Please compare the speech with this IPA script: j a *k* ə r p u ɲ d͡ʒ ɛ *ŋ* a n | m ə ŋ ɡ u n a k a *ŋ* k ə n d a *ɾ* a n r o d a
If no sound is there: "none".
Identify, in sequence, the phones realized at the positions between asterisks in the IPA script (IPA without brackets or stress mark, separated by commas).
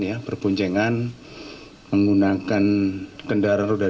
p, ŋ, n, ɾ